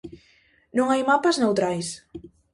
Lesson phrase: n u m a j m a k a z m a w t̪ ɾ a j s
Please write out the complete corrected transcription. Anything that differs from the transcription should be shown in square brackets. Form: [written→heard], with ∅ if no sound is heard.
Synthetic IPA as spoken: n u [m→ŋ] a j m a [k→p] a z [m→n] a w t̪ ɾ a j s